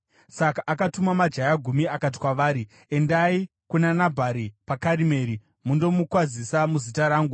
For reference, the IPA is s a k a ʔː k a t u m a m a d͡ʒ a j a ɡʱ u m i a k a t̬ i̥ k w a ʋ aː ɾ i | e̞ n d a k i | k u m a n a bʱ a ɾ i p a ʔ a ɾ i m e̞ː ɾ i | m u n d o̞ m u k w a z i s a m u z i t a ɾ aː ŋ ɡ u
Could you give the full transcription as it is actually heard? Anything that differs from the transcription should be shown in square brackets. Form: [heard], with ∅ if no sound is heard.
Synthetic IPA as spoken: s a k a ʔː k a t u m a m a d͡ʒ a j a ɡʱ u m i a k a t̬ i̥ k w a ʋ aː ɾ i | e̞ n d a [∅] i | k u [n] a n a bʱ a ɾ i p a [k] a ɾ i m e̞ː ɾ i | m u n d o̞ m u k w a z i s a m u z i t a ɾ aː ŋ ɡ u